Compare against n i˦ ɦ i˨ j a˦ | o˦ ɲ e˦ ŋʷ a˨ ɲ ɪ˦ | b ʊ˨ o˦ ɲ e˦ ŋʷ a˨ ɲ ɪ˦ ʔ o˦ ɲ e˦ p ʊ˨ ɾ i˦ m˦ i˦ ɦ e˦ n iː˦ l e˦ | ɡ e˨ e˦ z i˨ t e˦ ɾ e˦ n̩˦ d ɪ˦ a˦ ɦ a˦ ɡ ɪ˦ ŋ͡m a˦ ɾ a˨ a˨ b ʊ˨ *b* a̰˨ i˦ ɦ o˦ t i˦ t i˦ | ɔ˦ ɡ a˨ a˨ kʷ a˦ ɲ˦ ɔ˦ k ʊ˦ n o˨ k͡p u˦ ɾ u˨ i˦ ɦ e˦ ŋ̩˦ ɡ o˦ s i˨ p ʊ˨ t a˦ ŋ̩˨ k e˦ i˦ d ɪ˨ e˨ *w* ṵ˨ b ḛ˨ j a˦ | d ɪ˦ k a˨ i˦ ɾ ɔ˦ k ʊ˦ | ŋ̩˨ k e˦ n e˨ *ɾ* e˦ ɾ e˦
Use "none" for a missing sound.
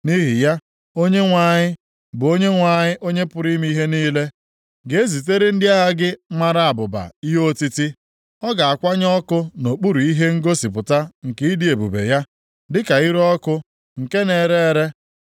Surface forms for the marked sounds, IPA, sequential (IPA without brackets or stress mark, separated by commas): b, b, ɾ